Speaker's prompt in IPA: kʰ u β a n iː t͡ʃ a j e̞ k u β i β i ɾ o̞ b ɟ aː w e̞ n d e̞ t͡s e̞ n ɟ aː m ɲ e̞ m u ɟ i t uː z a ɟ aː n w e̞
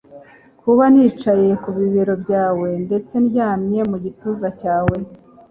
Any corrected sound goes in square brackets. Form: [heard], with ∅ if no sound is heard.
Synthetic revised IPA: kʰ u β a n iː t͡ʃ a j e̞ k u β i β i ɾ o̞ b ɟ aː w e̞ n d e̞ t͡s e̞ n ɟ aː m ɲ e̞ m u ɟ i t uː z a [c] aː [∅] w e̞